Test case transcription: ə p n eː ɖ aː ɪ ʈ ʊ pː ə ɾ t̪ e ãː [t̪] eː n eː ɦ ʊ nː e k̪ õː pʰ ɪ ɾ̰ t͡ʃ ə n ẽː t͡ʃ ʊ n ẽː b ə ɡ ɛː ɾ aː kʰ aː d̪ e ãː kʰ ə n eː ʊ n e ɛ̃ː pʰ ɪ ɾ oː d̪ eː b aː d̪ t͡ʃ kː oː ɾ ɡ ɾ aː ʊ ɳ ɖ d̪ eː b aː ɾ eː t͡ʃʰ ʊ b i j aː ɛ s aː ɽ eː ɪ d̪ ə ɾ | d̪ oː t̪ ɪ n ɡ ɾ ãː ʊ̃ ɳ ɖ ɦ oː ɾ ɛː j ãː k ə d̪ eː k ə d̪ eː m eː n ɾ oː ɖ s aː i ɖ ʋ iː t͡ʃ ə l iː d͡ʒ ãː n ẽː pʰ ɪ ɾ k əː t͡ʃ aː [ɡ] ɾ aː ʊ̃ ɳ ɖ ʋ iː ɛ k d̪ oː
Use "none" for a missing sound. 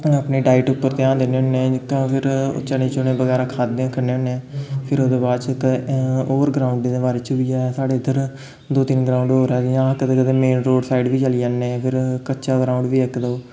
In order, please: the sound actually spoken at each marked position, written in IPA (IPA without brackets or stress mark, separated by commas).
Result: d̪, ɡ